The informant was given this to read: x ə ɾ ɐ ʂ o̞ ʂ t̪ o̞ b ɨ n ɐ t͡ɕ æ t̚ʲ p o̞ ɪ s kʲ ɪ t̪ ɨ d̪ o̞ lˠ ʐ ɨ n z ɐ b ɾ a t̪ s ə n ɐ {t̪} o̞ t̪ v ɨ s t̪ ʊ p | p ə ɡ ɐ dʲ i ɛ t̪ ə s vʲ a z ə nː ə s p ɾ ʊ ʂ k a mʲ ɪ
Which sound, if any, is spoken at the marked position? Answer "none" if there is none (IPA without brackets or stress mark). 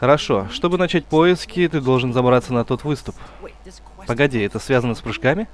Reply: t̪